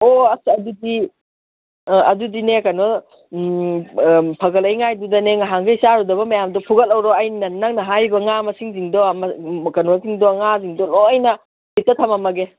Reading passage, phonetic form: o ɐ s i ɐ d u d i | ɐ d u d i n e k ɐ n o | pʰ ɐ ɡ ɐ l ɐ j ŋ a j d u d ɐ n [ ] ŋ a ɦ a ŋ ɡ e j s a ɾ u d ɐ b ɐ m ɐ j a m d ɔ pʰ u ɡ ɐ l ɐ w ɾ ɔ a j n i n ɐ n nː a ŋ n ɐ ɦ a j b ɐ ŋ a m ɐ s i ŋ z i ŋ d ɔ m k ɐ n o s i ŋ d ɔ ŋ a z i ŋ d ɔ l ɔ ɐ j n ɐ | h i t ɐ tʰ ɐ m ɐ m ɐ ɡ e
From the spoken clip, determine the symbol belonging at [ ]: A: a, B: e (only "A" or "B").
B